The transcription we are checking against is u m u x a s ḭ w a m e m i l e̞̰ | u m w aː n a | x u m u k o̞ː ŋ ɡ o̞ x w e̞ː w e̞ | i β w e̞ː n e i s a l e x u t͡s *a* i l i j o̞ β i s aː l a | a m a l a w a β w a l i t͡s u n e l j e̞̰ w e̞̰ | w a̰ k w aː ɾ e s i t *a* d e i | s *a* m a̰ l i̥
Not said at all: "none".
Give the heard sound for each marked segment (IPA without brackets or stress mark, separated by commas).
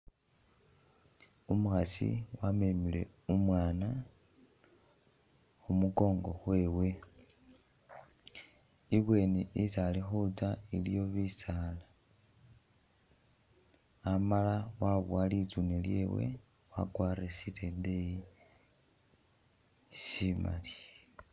a, e, i